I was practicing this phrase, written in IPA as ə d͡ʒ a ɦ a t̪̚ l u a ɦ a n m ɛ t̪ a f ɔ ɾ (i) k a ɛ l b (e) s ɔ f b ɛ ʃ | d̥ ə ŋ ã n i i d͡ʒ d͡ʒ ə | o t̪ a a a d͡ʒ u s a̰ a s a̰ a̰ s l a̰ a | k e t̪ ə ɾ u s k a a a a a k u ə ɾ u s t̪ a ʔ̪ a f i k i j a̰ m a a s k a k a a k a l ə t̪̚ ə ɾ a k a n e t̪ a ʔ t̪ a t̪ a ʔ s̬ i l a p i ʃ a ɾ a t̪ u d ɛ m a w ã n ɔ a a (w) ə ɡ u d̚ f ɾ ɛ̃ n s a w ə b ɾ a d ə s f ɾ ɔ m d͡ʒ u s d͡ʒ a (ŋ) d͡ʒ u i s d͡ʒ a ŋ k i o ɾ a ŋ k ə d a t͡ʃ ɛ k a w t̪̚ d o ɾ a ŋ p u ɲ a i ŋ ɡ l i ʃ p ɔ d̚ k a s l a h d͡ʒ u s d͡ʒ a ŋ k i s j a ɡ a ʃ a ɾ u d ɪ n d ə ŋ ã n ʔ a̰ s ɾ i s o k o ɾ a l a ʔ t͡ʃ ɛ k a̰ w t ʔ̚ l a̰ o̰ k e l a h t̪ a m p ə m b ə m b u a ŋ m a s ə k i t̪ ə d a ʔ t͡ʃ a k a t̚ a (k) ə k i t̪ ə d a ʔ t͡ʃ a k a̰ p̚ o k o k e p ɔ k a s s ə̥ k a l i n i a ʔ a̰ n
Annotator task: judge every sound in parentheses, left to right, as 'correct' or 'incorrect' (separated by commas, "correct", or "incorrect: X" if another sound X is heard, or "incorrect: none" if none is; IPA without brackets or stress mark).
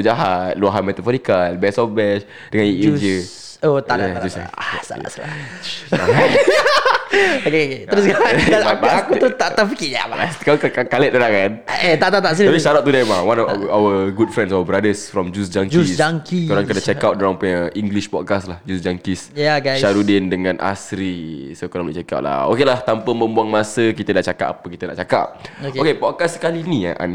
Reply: correct, incorrect: ɛ, correct, correct, incorrect: p